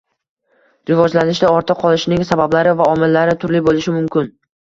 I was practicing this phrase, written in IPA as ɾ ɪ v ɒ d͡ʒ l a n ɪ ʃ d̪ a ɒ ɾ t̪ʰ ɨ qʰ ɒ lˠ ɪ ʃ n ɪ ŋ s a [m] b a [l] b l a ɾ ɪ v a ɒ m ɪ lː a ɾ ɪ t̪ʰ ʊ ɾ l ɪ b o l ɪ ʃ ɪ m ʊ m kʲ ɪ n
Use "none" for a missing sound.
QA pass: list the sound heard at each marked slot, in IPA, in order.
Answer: none, none

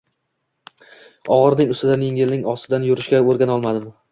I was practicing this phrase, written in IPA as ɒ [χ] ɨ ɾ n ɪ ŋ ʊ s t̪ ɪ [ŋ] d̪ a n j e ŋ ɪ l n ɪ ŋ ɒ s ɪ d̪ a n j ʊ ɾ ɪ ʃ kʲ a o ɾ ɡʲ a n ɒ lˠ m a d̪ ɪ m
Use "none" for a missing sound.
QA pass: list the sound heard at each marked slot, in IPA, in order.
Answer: ʁ, none

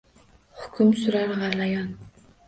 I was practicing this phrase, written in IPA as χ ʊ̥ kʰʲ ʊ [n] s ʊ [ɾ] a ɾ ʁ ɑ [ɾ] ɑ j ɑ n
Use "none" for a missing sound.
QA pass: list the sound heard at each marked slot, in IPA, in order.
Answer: m, ɾ, l

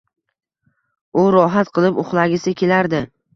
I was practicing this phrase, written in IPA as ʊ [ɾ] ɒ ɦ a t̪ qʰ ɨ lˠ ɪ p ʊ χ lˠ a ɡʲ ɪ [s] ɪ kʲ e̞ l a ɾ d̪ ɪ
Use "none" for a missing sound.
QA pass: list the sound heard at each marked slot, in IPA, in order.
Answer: ɾ, s

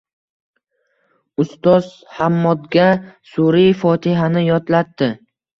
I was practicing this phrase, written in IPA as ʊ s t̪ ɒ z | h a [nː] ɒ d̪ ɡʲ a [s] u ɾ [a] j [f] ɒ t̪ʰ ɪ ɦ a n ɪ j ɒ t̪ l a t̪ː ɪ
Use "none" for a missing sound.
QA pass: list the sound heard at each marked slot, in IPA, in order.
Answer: mː, s, i, f

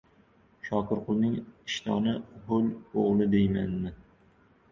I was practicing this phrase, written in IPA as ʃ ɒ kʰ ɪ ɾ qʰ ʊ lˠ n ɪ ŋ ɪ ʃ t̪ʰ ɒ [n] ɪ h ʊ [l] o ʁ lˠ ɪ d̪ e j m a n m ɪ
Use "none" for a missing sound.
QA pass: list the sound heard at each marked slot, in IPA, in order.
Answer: n, l

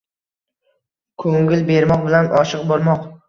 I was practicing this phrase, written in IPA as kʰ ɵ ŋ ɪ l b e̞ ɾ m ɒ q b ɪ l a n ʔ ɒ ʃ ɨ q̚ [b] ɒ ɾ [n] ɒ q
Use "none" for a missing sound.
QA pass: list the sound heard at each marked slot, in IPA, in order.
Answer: b, m

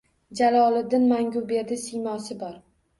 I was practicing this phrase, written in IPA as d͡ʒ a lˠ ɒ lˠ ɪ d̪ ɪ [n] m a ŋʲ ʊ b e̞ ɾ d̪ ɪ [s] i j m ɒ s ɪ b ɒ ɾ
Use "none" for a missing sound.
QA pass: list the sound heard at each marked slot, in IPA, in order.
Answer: n, s

